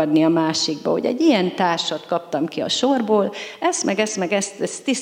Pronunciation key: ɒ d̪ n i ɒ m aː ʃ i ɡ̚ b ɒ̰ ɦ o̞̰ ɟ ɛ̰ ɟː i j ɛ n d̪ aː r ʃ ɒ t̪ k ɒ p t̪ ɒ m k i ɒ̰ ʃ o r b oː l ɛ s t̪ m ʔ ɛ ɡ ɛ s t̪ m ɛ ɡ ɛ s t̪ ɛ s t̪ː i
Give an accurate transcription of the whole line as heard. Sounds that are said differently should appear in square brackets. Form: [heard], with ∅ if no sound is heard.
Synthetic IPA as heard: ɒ d̪ n i ɒ m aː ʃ i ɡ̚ b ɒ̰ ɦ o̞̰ ɟ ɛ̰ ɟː i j ɛ n [t̪] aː r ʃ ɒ t̪ k ɒ p t̪ ɒ m k i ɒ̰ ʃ o r b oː l ɛ s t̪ m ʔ ɛ ɡ ɛ s t̪ m ɛ ɡ ɛ s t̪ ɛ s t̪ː i